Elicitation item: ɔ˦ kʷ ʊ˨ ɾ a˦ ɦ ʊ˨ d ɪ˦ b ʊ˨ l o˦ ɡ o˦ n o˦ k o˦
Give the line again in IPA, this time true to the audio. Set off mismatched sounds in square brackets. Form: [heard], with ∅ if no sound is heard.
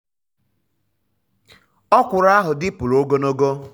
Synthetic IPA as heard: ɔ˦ kʷ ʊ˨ ɾ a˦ ɦ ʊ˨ d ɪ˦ [p] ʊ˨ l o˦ ɡ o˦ n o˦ [ɡ] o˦

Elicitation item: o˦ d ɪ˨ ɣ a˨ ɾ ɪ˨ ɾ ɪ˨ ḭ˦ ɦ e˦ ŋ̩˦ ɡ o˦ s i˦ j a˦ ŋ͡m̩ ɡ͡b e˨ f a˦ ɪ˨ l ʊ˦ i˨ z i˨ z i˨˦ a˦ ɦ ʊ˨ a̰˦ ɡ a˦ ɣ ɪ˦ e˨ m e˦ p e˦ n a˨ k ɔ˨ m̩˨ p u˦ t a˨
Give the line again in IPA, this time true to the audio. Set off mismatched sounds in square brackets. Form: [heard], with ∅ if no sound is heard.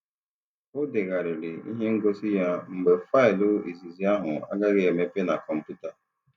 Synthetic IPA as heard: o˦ d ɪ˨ ɣ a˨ ɾ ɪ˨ ɾ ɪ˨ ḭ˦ ɦ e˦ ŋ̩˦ ɡ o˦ s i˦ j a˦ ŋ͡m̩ ɡ͡b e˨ f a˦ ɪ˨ l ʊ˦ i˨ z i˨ z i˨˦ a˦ ɦ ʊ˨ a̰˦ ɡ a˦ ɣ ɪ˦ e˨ m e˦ p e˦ n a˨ k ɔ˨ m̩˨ p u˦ t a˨

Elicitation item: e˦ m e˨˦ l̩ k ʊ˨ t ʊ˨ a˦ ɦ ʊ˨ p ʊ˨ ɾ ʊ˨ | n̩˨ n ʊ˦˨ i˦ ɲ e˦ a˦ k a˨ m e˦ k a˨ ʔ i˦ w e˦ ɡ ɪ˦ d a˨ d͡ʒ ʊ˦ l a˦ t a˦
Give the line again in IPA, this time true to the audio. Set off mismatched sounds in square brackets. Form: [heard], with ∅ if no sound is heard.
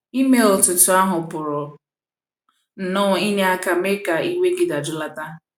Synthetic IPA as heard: [i˦] m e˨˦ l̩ [t] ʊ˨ t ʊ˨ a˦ ɦ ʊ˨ p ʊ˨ ɾ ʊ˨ | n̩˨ n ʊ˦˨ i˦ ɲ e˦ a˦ k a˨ m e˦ k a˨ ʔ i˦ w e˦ ɡ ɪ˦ d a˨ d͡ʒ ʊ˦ l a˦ t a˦

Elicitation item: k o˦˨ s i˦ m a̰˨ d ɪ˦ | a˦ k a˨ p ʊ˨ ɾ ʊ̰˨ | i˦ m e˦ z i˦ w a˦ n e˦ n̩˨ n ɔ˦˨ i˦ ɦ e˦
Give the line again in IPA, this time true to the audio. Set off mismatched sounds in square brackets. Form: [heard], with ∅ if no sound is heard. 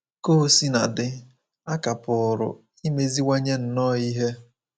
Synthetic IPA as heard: k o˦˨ s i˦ [n] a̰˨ d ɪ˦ | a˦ k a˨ p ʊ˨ ɾ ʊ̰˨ | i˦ m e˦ z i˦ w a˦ [ɲ] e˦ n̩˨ n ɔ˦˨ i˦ ɦ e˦

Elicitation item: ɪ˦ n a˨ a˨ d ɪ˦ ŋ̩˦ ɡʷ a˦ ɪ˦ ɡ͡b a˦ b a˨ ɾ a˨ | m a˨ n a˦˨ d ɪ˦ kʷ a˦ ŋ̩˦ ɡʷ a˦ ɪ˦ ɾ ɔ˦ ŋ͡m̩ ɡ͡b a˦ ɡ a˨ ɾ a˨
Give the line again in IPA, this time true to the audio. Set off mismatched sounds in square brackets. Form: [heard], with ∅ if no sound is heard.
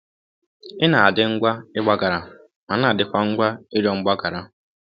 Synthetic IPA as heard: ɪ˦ n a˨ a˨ d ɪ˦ ŋ̩˦ ɡʷ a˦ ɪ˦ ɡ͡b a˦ [ɡ] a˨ ɾ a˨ | m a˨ n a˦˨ d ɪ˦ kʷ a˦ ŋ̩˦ ɡʷ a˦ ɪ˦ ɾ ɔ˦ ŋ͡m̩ ɡ͡b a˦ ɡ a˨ ɾ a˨

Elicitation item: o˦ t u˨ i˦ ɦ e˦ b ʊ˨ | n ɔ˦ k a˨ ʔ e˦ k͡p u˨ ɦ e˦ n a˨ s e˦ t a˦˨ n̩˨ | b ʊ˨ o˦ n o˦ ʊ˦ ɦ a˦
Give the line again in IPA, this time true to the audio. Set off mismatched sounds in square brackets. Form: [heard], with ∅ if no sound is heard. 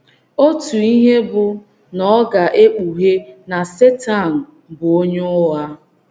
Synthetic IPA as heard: o˦ t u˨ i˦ ɦ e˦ b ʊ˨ | n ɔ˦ [ɡ] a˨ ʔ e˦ k͡p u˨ ɦ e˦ n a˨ s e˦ t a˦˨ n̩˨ | b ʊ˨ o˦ [ɲ] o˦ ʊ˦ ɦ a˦

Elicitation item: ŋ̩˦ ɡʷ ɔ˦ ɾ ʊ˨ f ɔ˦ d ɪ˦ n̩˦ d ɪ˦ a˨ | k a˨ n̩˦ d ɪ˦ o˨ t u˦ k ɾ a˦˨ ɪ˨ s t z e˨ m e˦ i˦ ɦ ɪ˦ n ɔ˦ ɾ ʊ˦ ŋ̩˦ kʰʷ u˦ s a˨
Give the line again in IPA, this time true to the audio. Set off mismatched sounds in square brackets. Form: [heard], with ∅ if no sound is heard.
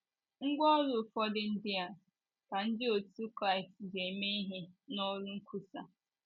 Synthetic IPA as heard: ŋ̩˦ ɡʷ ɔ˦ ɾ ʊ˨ f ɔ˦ d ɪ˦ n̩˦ d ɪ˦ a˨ | k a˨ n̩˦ d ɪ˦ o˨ t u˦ k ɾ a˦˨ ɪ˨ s t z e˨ m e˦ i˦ ɦ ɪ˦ n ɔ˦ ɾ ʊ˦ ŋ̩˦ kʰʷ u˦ s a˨

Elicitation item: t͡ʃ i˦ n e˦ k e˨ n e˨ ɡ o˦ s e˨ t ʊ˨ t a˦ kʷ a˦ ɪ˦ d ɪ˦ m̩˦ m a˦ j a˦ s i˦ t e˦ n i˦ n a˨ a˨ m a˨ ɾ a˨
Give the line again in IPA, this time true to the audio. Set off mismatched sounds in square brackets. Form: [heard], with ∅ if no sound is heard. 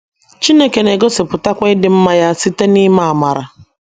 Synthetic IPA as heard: t͡ʃ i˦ n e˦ k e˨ n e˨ ɡ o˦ s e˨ [p] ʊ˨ t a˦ kʷ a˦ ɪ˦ d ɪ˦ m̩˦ m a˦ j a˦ s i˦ t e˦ n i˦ [m] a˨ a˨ m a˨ ɾ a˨

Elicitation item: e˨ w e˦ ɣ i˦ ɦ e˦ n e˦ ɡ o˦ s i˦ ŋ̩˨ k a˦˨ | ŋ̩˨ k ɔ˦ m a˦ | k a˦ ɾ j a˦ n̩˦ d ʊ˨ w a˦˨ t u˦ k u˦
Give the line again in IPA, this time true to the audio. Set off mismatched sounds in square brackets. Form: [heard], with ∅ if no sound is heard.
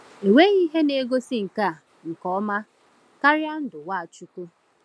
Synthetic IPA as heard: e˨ w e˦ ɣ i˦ ɦ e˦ n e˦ ɡ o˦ s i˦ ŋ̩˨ k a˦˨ | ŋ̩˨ k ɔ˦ m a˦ | k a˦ ɾ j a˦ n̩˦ d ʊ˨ w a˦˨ [t͡ʃ] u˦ k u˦

